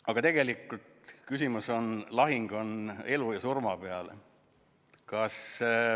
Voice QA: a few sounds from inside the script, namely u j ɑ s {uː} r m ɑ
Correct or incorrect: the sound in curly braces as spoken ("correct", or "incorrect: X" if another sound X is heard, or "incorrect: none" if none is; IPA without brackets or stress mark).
incorrect: u